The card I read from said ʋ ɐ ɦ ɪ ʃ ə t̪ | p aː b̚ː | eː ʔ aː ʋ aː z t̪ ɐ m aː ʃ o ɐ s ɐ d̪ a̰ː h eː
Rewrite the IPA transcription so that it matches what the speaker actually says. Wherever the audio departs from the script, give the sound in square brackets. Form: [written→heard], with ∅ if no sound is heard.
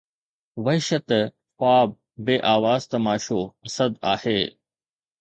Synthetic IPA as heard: ʋ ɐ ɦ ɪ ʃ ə t̪ | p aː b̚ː | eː ʔ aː ʋ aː z t̪ ɐ m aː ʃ o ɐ s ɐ d̪ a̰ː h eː

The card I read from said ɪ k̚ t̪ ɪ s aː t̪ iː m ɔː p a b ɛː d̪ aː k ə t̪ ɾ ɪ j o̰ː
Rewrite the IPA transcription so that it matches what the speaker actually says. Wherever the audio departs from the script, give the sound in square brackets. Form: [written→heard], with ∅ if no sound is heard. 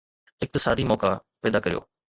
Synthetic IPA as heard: ɪ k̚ t̪ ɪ s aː [t̪→d̪] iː m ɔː [p→k] a [b→p] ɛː d̪ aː k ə [t̪→∅] ɾ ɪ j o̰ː

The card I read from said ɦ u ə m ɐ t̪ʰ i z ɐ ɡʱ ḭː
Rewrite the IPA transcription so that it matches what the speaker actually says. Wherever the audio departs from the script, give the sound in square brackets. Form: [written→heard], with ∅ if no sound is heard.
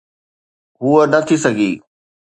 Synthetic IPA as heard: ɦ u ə [m→n] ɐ t̪ʰ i [z→s] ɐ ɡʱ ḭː

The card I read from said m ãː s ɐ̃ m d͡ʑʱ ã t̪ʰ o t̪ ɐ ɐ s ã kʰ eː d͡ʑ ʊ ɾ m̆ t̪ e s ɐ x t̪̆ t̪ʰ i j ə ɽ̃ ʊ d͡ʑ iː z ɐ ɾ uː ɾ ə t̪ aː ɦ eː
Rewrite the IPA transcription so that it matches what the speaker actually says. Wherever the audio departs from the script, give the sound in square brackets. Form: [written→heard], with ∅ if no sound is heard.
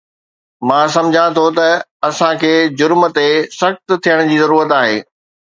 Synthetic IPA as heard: m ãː s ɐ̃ m d͡ʑʱ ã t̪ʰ o t̪ ɐ ɐ s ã kʰ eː d͡ʑ ʊ ɾ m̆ t̪ e s ɐ x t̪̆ t̪ʰ i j ə ɽ̃ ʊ d͡ʑ iː z ɐ ɾ uː ɾ ə t̪ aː ɦ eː

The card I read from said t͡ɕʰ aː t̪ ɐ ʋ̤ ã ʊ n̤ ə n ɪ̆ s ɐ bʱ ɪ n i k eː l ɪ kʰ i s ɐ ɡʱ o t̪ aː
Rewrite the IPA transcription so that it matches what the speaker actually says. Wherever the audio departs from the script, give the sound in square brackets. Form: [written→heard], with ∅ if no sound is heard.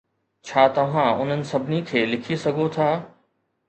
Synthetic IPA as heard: t͡ɕʰ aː t̪ ɐ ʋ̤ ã ʊ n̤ ə n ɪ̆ s ɐ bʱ ɪ n i [k→kʰ] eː l ɪ kʰ i s ɐ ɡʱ o [t̪→t̪ʰ] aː

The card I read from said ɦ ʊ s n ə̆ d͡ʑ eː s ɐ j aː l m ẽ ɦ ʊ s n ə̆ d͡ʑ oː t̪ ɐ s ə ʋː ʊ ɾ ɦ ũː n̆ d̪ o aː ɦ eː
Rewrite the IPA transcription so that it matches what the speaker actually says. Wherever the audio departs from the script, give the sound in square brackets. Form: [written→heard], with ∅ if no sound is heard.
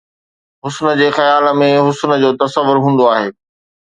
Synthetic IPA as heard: ɦ ʊ s n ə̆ d͡ʑ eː [s→x] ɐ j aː l m ẽ ɦ ʊ s n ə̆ d͡ʑ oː t̪ ɐ s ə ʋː ʊ ɾ ɦ ũː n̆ d̪ o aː ɦ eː

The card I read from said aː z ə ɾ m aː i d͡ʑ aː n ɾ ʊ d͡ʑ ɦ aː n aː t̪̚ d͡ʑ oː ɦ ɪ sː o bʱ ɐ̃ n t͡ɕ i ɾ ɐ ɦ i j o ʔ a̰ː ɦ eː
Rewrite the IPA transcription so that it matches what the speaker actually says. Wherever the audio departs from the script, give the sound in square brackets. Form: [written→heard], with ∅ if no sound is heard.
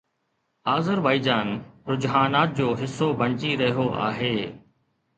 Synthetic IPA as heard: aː z ə ɾ [m→b] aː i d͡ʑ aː n ɾ ʊ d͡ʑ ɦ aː n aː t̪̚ d͡ʑ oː ɦ ɪ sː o bʱ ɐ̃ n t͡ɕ i ɾ ɐ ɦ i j o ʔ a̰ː ɦ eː

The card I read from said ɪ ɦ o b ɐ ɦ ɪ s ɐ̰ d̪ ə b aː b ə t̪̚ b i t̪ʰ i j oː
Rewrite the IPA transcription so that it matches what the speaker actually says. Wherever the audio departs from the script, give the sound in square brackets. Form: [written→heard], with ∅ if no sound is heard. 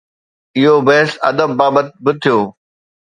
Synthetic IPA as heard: ɪ ɦ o b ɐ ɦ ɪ s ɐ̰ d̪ ə [b→bː] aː b ə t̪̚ b [i→ɪ] t̪ʰ i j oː

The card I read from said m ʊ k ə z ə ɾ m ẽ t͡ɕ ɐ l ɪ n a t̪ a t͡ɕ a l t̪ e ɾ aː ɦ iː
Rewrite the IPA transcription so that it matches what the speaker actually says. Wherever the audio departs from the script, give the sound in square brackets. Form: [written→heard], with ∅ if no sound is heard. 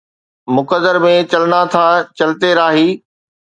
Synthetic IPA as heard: m ʊ k ə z ə ɾ m ẽ t͡ɕ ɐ l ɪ n a [t̪→t̪ʰ] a t͡ɕ [a→ɐ] l t̪ e ɾ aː ɦ iː

